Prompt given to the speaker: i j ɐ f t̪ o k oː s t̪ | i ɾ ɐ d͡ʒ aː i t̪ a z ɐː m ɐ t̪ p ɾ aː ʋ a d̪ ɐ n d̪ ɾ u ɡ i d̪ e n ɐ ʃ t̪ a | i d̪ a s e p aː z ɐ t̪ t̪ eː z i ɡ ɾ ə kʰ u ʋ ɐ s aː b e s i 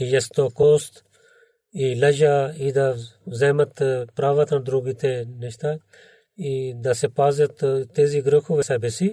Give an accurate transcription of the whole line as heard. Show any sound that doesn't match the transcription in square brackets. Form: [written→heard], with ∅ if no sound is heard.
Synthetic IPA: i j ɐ [f→s] t̪ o k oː s t̪ | i [ɾ→l] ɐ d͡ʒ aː i [t̪→d̪] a z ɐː m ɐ t̪ p ɾ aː ʋ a [d̪→t̪] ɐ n d̪ ɾ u ɡ i [d̪→t̪] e n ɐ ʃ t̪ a | i d̪ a s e p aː z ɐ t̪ t̪ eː z i ɡ ɾ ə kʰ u ʋ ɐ s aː b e s i